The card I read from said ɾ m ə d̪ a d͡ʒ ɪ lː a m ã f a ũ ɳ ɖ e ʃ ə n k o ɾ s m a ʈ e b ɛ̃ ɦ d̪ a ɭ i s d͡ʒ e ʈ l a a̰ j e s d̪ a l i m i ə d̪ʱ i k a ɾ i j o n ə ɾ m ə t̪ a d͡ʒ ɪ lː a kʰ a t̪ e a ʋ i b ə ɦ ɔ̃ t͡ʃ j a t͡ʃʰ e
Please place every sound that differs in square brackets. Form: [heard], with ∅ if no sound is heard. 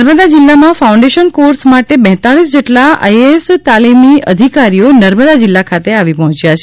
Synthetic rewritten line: ɾ m ə d̪ a d͡ʒ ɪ lː a m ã f a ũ ɳ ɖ e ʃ ə n k o ɾ s m a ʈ e b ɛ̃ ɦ [t̪] a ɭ i s d͡ʒ e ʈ l a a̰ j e s [t̪] a l i m i ə d̪ʱ i k a ɾ i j o n ə ɾ m ə [d̪] a d͡ʒ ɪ lː a kʰ a t̪ e a ʋ i [p] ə ɦ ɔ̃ t͡ʃ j a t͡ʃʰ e